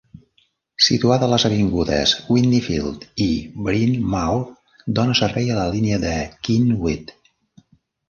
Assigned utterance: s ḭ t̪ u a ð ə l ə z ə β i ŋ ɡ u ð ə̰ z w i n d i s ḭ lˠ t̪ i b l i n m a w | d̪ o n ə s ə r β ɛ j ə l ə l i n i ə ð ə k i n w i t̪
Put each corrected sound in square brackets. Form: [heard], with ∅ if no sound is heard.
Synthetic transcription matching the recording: s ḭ t̪ u a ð ə l ə z ə β i ŋ ɡ u ð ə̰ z w i n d i [f] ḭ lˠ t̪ i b [ɾ] i n m a w | d̪ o n ə s ə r β ɛ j ə l ə l i n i ə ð ə k i n w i t̪